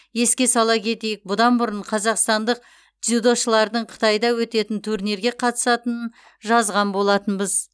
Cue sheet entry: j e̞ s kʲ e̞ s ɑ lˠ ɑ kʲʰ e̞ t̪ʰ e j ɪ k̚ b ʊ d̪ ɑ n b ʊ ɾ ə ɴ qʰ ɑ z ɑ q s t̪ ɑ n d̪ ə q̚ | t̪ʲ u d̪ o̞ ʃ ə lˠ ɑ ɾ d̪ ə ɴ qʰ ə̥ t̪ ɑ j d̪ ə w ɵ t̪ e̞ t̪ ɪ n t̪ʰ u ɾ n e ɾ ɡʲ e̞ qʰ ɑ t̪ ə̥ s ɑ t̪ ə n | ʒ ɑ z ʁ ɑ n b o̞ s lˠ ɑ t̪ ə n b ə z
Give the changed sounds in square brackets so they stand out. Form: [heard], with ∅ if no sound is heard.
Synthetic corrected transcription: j e̞ s kʲ e̞ s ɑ lˠ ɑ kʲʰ e̞ [t̪] e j ɪ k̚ b ʊ d̪ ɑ n b ʊ ɾ ə ɴ qʰ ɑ z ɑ q s t̪ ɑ n d̪ ə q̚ | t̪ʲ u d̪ o̞ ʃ ə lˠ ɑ ɾ d̪ ə ɴ qʰ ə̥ t̪ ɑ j d̪ [ɑ] w ɵ t̪ e̞ t̪ ɪ n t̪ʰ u ɾ n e ɾ ɡʲ e̞ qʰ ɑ t̪ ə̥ s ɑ t̪ ə n | ʒ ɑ z ʁ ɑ n b o̞ [∅] lˠ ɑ t̪ ə n b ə z